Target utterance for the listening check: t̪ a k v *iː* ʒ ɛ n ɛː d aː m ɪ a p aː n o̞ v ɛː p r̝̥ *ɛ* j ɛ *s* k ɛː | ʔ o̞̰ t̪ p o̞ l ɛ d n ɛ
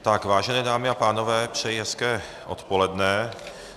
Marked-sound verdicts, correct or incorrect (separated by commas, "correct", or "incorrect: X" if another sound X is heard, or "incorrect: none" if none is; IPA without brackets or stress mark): incorrect: aː, correct, correct